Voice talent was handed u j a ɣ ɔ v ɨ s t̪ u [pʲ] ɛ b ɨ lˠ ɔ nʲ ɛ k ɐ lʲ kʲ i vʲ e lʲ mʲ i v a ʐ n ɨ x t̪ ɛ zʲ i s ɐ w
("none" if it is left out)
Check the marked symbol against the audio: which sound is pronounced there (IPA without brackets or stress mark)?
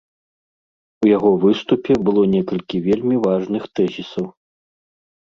pʲ